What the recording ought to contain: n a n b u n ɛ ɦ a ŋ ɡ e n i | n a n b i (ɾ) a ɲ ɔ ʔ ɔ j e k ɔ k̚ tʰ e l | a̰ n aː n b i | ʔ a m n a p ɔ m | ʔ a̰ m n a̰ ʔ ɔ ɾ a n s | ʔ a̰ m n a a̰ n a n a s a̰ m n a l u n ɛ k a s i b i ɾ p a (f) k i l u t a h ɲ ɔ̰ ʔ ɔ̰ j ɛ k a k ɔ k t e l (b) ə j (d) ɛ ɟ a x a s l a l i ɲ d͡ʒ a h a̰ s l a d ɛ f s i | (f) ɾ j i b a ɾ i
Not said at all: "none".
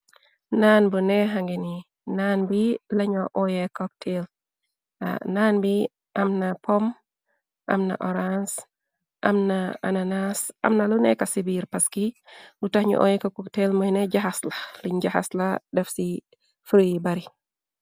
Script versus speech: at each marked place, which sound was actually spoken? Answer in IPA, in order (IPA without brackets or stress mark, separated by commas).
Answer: l, s, m, n, f